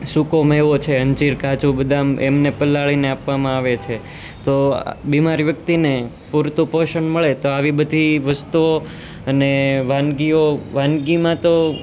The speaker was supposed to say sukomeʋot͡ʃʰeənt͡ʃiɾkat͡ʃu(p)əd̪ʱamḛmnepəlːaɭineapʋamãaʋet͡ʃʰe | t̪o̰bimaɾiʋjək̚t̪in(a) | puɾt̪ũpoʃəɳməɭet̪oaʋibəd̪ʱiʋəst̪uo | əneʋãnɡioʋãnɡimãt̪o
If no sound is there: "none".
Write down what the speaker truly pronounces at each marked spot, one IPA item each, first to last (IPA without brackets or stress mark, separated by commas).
b, e